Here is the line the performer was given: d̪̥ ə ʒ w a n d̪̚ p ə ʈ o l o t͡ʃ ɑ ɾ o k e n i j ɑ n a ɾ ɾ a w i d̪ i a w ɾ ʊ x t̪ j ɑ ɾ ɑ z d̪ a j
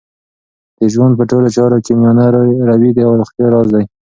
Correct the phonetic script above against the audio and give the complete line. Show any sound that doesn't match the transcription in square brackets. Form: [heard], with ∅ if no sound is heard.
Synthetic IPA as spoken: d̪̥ ə ʒ w a n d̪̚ p ə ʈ o l o t͡ʃ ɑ ɾ o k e [m] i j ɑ n a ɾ ɾ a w i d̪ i a w ɾ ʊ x t̪ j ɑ ɾ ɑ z d̪ a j